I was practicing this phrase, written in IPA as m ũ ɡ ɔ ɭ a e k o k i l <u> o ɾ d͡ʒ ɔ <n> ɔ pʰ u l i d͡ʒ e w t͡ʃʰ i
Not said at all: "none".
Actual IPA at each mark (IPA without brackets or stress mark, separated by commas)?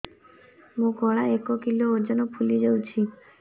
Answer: o, n